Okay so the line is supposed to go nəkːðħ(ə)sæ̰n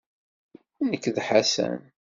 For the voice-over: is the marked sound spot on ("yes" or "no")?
no